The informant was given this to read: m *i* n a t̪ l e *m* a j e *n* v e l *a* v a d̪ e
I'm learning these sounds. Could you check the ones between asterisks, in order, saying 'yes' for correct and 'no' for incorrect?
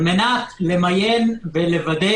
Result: no, yes, yes, no

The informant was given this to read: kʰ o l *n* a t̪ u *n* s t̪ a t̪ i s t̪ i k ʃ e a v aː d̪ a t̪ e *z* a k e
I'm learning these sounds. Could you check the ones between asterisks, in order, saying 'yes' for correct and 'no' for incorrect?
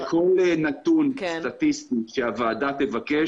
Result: yes, yes, no

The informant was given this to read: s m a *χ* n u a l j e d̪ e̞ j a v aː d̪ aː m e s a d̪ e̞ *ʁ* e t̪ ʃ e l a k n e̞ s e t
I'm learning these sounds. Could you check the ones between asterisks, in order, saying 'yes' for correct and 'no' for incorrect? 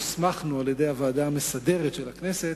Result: yes, yes

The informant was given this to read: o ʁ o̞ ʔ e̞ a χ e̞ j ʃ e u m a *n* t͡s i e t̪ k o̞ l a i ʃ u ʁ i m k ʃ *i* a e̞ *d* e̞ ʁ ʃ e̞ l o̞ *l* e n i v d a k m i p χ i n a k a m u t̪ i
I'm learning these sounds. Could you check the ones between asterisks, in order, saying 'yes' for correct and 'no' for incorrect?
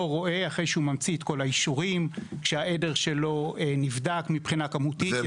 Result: no, no, yes, no

